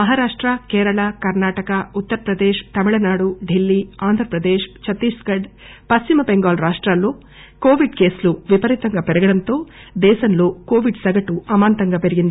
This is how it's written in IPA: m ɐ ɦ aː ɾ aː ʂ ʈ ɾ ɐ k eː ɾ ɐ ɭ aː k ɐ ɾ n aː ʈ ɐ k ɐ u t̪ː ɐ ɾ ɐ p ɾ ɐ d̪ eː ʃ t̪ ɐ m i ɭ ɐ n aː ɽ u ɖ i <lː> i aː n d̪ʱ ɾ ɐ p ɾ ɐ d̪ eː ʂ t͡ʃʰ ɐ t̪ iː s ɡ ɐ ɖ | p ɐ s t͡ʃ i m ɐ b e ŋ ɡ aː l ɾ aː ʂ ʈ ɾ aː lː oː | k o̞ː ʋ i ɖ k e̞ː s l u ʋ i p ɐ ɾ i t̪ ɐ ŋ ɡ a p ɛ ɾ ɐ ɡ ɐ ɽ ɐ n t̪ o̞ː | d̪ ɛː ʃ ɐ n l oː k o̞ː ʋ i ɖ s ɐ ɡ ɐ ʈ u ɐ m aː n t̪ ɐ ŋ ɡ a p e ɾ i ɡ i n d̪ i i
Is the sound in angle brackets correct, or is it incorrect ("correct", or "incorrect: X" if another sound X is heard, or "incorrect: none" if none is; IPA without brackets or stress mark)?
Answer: correct